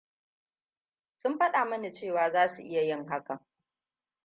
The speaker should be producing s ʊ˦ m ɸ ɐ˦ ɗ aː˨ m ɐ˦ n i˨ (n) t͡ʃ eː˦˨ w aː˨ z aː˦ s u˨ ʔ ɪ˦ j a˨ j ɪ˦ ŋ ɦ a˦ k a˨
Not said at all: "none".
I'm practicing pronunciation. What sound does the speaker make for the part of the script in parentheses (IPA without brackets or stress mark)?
none